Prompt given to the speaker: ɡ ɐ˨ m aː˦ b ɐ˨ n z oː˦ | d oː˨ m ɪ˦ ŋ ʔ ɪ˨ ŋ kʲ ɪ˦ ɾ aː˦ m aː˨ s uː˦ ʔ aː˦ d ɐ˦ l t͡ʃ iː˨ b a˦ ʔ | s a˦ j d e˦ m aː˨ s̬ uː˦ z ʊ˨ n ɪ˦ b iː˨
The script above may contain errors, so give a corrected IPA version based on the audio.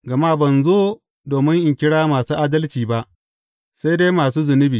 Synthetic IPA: ɡ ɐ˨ m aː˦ b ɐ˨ n z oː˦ | d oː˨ m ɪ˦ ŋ ʔ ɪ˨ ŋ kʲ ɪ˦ ɽ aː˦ m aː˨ s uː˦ ʔ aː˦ d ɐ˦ l t͡ʃ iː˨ b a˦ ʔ | s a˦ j d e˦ m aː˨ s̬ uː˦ z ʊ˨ n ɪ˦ b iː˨